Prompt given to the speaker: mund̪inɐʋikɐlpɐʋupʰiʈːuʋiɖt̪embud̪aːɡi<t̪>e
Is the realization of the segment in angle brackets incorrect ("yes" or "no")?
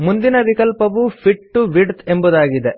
yes